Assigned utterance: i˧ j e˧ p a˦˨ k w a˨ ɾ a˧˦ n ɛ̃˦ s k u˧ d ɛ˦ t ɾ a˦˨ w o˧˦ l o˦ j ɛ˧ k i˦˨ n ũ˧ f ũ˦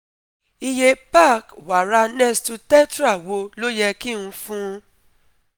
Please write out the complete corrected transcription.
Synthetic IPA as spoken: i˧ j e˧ p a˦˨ k w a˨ ɾ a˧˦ n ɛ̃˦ s t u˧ t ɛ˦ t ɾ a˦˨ w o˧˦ l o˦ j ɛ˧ k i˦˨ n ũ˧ f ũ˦